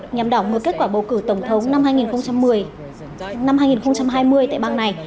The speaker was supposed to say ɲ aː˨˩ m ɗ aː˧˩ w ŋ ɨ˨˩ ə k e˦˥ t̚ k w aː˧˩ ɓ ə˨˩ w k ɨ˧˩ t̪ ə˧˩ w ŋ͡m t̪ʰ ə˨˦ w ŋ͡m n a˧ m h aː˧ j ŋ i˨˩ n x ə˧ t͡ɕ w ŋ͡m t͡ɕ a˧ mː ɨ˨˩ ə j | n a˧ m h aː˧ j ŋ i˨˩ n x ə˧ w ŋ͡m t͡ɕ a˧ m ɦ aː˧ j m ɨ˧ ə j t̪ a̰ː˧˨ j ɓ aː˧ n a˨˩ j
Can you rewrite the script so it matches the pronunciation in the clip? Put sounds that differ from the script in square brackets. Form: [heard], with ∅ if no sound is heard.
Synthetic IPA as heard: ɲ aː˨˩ m ɗ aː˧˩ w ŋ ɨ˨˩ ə k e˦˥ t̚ k w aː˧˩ ɓ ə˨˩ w k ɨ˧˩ t̪ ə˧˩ w ŋ͡m t̪ʰ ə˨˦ w ŋ͡m n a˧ m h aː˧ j ŋ i˨˩ n x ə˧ [∅] w ŋ͡m t͡ɕ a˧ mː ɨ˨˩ ə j | n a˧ m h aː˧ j ŋ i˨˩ n x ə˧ w ŋ͡m t͡ɕ a˧ m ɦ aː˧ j m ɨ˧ ə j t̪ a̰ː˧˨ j ɓ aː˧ n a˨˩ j